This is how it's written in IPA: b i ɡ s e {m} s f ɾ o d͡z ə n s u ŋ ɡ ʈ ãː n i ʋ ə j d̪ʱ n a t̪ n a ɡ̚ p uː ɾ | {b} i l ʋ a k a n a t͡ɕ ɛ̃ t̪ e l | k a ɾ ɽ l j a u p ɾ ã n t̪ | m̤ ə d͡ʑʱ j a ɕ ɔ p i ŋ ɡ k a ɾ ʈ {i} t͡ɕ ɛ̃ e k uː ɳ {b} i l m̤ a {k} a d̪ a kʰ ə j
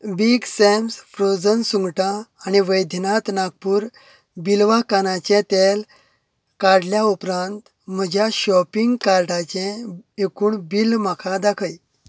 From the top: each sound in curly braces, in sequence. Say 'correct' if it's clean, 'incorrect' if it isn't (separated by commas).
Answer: correct, correct, incorrect, correct, incorrect